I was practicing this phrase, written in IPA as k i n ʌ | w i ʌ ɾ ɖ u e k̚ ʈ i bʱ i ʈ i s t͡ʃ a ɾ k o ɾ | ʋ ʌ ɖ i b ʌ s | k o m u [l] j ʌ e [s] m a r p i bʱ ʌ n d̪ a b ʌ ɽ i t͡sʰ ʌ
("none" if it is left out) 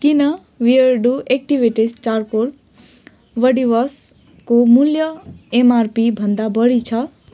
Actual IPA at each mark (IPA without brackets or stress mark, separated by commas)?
l, none